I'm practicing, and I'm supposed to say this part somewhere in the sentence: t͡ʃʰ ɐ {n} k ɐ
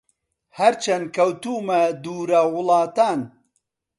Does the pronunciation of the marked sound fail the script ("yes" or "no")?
no